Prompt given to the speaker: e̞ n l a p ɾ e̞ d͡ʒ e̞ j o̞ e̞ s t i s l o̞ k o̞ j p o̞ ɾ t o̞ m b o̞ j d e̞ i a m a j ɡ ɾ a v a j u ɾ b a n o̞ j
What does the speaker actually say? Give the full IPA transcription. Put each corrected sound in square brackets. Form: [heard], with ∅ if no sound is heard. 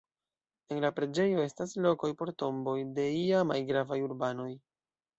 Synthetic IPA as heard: e̞ n l a p ɾ e̞ d͡ʒ e̞ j o̞ e̞ s t [a] s l o̞ k o̞ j p o̞ ɾ t o̞ m b o̞ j d e̞ i a m a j ɡ ɾ a v a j u ɾ b a n o̞ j